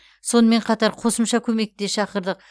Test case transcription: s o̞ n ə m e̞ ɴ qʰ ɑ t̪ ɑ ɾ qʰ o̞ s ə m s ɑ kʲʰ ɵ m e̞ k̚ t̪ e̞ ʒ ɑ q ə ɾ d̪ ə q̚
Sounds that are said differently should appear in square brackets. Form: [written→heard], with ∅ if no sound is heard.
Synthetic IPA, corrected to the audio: s o̞ n ə m e̞ ɴ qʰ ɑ t̪ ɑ ɾ qʰ o̞ s ə m [s→ʃ] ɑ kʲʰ ɵ m e̞ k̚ t̪ e̞ [ʒ→ʃ] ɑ q ə ɾ d̪ ə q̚